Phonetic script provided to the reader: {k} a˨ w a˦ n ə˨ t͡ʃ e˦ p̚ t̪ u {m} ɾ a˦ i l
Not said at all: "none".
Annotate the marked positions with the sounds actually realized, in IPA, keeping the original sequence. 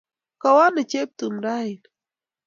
k, m

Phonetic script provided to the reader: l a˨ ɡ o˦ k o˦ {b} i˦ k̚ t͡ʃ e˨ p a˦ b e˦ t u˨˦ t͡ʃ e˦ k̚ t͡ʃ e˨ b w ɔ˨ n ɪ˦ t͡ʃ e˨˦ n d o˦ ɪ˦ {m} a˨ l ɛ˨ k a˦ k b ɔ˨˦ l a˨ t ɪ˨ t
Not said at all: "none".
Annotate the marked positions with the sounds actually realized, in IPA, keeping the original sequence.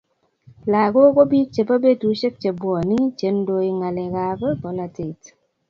b, ŋ

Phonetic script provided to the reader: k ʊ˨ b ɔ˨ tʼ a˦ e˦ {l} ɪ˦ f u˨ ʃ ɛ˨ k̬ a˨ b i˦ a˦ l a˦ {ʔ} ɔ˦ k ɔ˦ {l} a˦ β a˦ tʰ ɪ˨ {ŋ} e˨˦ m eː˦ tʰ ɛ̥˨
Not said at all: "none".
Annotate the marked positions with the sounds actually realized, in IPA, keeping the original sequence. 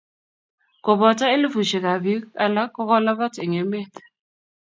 l, k, l, ŋ

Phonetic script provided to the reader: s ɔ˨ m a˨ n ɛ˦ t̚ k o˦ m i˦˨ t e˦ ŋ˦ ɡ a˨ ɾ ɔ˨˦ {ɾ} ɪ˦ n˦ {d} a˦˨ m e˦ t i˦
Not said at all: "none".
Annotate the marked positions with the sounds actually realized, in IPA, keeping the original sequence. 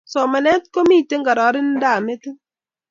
ɾ, d

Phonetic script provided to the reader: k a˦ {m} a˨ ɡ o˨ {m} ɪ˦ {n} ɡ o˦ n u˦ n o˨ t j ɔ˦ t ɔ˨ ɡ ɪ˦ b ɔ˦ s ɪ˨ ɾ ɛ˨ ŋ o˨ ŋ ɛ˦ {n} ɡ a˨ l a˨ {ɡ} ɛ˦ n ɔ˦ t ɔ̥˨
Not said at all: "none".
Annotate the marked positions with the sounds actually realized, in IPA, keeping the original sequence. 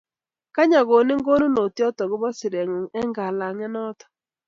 ɲ, n, ŋ, ŋ, ŋ

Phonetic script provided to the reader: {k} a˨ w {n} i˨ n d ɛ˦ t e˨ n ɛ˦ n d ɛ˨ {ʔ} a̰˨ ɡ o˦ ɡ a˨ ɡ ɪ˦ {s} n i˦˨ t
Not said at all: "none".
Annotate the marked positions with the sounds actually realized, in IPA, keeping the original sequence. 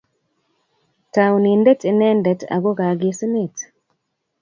t, n, t, s

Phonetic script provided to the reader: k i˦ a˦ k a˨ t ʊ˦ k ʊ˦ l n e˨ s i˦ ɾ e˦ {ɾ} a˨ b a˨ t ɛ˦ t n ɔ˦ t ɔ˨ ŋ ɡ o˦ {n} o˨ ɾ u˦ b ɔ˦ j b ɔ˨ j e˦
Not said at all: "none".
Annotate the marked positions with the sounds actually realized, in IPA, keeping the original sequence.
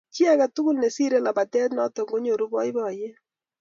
l, ɲ

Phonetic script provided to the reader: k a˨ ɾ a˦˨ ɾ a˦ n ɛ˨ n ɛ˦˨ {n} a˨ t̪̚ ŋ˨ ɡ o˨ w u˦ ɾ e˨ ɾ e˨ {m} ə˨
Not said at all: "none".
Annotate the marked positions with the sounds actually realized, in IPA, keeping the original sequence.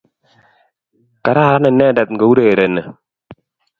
d, n

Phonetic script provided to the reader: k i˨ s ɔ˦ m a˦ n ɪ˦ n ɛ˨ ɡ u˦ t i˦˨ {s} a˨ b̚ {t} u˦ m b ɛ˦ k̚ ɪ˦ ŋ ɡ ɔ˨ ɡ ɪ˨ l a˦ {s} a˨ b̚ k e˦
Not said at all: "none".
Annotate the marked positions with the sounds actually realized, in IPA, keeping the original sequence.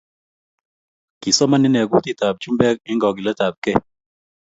t, t͡ʃ, t

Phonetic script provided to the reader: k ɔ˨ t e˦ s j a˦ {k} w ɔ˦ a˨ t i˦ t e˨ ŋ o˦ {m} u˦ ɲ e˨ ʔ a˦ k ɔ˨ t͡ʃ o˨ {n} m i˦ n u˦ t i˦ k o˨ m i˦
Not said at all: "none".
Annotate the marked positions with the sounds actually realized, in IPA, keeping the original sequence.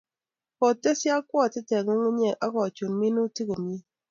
k, ŋ, n

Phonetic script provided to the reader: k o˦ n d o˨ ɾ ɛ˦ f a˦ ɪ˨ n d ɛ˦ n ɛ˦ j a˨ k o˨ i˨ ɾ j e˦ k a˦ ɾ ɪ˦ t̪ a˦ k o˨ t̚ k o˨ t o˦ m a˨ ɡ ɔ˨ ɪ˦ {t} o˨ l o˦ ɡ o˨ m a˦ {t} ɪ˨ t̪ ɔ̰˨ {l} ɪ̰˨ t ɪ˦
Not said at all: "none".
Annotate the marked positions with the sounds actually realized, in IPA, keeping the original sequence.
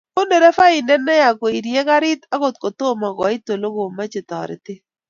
t, t͡ʃ, ɾ

